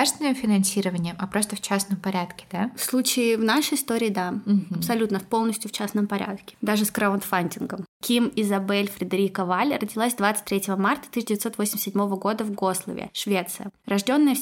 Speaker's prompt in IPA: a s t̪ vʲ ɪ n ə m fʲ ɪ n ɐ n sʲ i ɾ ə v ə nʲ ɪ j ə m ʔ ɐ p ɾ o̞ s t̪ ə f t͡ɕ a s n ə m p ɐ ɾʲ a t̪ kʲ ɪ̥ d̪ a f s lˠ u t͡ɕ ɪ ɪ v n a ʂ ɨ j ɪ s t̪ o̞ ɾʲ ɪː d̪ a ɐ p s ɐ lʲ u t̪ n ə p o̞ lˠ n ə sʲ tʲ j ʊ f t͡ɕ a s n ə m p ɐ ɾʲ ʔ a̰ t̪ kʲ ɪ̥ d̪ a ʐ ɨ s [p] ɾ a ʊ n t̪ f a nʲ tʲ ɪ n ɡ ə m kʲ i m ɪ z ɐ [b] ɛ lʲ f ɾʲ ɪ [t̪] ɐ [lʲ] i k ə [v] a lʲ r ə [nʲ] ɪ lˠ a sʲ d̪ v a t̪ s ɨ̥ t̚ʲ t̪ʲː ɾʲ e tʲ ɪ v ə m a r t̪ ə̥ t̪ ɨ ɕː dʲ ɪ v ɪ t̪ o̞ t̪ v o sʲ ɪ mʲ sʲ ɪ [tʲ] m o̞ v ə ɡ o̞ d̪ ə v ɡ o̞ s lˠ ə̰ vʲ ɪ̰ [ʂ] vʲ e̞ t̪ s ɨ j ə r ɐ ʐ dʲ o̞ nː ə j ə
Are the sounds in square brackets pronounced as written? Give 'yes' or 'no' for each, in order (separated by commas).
no, yes, no, no, yes, no, no, yes